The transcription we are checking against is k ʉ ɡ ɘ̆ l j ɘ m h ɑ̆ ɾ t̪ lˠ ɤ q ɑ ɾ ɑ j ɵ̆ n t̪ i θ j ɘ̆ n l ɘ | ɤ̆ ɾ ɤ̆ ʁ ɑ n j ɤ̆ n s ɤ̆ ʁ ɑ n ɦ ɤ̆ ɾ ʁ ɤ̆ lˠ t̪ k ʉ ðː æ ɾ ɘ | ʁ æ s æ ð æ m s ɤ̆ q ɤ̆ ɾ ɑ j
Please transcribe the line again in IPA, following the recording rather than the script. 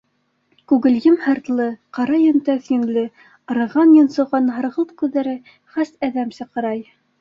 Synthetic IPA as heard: k ʉ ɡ ɘ̆ l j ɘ m h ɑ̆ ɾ t̪ lˠ ɤ q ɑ ɾ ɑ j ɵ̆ n t̪ æ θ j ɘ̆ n l ɘ | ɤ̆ ɾ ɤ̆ ʁ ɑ n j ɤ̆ n s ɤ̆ ʁ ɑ n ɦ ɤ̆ ɾ ʁ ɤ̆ lˠ t̪ k ʉ ðː æ ɾ ɘ | χ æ s æ ð æ m s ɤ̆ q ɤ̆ ɾ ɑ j

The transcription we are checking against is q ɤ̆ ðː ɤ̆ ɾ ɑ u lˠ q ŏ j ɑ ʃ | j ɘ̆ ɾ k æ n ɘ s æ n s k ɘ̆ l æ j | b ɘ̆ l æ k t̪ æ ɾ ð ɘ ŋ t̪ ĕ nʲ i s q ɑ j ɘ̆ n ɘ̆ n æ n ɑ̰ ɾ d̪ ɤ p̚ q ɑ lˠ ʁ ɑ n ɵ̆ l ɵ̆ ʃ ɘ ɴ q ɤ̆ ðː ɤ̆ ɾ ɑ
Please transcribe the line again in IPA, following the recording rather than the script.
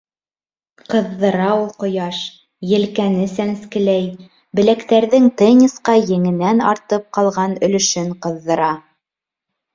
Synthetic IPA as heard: q ɤ̆ ðː ɤ̆ ɾ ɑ u lˠ q ŏ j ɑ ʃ | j ɘ̆ l k æ n ɘ s æ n s k ɘ̆ l æ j | b ɘ̆ l æ k t̪ æ ɾ ð ɘ ŋ t̪ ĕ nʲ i s q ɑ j ɘ̆ ŋ ɘ̆ n æ n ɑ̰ ɾ t̪ ɤ p̚ q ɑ lˠ ʁ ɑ n ɵ̆ l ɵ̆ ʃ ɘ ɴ q ɤ̆ ðː ɤ̆ ɾ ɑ

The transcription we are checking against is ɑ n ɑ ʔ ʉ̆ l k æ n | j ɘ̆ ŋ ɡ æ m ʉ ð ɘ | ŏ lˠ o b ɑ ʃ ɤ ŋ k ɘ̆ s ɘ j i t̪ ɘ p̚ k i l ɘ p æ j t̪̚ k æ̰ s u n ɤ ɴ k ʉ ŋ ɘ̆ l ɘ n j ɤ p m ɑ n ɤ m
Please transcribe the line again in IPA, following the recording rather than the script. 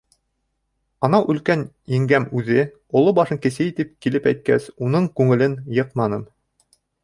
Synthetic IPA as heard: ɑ n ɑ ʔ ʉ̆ l k æ n | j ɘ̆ ŋ ɡ æ m ʉ ð ɘ | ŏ lˠ o b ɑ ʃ ɤ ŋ k ɘ̆ s ɘ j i t̪ ɘ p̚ k i l ɘ p æ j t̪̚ k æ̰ s u n ɤ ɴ k ʉ ŋ ɘ̆ l ɘ n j ɤ q m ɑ n ɤ m

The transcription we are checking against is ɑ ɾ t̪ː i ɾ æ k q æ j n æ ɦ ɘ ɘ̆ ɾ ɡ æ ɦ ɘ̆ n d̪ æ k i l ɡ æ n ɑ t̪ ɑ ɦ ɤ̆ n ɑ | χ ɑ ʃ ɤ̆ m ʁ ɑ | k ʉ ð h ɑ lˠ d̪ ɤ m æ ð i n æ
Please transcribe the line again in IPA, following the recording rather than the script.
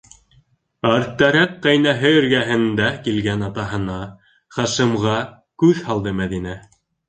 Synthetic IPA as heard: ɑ ɾ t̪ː æ ɾ æ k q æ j n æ ɦ ɘ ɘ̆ ɾ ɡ æ ɦ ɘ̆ n d̪ æ k i l ɡ æ n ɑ t̪ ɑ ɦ ɤ̆ n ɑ | χ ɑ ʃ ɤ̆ m ʁ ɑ | k ʉ ð h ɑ lˠ d̪ ɤ m æ ð i n æ

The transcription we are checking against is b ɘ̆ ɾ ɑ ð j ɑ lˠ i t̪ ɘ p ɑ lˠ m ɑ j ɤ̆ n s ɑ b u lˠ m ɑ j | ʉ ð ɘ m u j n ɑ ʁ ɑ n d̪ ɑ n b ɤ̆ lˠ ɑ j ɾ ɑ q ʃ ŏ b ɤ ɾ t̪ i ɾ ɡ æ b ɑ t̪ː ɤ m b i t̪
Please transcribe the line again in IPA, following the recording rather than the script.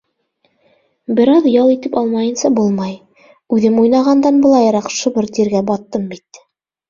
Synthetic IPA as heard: b ɘ̆ ɾ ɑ ð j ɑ lˠ i t̪ ɘ p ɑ lˠ m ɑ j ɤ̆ n s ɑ b u lˠ m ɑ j | ʉ ð ɘ m u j n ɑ ʁ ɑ n d̪ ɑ n b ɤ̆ lˠ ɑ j ɾ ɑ q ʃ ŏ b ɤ ɾ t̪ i ɾ ɡ æ b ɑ t̪ː ɤ m b i t̪

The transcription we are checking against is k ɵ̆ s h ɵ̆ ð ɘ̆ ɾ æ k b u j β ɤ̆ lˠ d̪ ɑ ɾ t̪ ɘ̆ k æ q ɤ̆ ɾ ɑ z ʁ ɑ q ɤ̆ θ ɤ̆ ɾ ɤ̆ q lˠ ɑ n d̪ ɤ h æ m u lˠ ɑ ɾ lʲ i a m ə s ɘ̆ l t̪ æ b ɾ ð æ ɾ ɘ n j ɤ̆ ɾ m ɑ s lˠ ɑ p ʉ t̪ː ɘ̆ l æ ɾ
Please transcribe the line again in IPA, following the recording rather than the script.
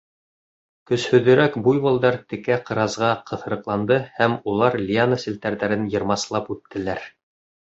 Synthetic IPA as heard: k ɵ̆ s h ɵ̆ ð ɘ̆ ɾ æ k b u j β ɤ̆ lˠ d̪ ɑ ɾ t̪ ɘ̆ k æ q ɤ̆ ɾ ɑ z ʁ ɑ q ɤ̆ θ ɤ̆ ɾ ɤ̆ q lˠ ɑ n d̪ ɤ h æ m u lˠ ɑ ɾ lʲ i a n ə s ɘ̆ l t̪ æ ɾ ð æ ɾ ɘ n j ɤ̆ ɾ m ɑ s lˠ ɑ p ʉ t̪ː ɘ̆ l æ ɾ

